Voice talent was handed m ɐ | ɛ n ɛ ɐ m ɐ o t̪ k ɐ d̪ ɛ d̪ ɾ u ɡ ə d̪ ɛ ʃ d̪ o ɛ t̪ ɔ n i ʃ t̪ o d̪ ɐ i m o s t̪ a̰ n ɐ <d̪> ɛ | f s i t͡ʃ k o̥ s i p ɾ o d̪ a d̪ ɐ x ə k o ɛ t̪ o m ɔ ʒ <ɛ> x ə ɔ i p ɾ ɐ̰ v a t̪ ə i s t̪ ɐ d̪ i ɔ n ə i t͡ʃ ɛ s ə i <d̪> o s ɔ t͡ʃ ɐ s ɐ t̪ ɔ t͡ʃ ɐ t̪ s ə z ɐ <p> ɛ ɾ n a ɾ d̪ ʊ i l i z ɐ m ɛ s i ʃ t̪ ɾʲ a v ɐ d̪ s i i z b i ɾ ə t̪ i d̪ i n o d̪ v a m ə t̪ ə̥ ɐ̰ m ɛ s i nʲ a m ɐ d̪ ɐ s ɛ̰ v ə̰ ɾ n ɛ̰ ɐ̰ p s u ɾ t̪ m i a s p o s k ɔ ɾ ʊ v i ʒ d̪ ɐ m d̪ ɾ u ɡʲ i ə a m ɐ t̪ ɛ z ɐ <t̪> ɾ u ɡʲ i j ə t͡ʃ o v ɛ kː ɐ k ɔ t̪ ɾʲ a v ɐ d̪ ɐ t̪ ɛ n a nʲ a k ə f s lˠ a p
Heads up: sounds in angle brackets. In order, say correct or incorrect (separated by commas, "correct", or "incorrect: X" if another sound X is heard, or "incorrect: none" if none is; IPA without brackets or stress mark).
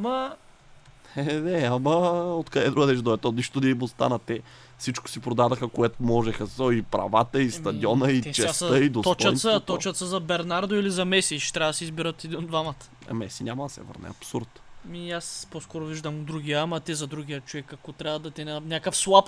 incorrect: t̪, correct, correct, incorrect: b, incorrect: d̪